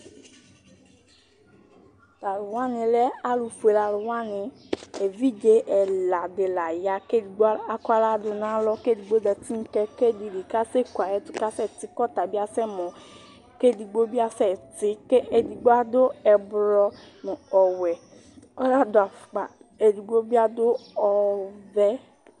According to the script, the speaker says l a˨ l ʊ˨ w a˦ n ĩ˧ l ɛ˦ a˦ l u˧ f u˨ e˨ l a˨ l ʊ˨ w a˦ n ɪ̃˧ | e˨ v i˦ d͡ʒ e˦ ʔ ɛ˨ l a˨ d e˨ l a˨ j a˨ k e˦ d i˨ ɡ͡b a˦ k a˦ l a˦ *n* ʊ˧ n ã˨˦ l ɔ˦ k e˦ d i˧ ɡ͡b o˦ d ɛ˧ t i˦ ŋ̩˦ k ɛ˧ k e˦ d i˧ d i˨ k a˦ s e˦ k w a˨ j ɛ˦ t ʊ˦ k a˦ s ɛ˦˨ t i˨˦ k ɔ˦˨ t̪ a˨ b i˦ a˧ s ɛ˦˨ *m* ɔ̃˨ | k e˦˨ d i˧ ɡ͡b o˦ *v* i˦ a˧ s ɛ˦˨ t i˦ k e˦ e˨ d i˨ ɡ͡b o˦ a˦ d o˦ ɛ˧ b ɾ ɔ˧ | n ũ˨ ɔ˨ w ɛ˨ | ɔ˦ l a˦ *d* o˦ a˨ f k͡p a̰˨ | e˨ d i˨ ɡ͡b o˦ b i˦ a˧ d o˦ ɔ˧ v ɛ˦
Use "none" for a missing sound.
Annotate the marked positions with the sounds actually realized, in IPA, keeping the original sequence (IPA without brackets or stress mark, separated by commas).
d, m, b, d